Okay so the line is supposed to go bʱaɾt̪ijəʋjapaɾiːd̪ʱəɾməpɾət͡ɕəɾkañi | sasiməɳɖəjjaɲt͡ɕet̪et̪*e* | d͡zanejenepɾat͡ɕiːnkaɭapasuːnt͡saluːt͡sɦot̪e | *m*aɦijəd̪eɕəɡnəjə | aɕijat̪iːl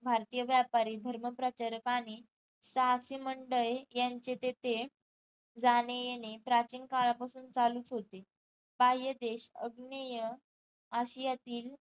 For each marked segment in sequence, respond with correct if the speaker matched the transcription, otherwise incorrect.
correct, incorrect: b

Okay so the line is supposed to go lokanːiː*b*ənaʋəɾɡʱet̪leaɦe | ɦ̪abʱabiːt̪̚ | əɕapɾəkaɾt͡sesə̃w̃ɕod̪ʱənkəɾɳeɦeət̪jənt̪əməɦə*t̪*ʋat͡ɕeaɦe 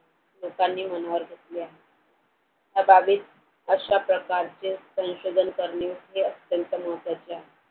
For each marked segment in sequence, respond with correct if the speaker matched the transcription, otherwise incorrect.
incorrect: m, correct

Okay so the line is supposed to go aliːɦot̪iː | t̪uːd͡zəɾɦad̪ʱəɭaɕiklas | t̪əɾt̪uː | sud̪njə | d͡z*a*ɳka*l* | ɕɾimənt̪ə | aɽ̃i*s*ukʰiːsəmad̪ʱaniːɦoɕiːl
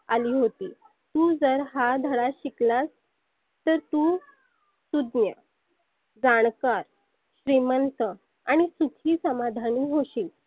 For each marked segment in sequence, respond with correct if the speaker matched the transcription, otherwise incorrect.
correct, incorrect: ɾ, correct

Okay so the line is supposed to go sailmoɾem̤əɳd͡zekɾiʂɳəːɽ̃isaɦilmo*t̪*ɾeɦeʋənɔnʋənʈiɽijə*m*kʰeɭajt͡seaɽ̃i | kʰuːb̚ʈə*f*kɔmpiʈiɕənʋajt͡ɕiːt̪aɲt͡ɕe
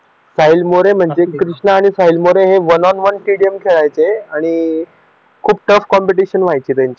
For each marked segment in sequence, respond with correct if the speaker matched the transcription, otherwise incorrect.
incorrect: none, correct, correct

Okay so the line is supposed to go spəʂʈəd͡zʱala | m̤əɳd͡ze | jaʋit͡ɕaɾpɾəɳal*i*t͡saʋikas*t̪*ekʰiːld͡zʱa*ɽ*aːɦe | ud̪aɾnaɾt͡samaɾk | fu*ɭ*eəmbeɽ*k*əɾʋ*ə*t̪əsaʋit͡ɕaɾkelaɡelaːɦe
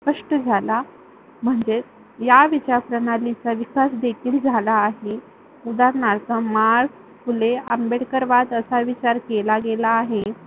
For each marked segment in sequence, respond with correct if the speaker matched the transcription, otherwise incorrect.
correct, incorrect: d̪, incorrect: l, incorrect: l, correct, incorrect: a

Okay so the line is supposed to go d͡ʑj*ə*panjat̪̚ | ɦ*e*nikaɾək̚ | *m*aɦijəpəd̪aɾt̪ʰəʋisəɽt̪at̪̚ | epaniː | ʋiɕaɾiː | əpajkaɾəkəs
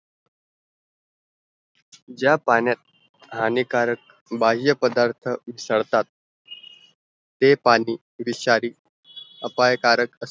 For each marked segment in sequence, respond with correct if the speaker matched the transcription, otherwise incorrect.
incorrect: a, incorrect: a, incorrect: b

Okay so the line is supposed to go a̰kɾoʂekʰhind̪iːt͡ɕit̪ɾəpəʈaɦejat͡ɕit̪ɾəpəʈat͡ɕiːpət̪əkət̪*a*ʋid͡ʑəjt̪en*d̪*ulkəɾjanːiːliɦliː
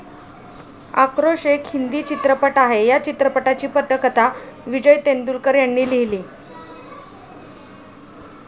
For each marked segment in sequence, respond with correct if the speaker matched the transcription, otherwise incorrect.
correct, correct

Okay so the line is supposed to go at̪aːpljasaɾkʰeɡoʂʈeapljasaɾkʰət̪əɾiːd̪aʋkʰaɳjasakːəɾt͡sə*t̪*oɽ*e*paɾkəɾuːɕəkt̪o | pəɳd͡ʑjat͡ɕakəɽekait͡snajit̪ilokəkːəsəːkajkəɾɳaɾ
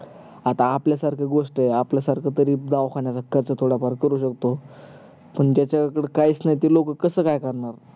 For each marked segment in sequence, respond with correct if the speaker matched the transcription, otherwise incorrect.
incorrect: t̪ʰ, incorrect: a

